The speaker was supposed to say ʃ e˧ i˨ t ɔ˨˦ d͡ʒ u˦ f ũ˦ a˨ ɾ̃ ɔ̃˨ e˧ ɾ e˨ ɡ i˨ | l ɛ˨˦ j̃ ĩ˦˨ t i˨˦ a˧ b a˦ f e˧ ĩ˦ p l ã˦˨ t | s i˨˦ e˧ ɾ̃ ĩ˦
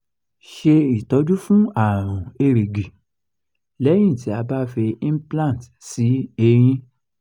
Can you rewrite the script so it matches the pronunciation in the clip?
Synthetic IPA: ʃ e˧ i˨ t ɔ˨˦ d͡ʒ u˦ f ũ˦ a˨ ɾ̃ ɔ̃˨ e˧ ɾ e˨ ɡ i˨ | l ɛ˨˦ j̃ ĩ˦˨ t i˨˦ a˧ b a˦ f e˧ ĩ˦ p l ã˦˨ t | s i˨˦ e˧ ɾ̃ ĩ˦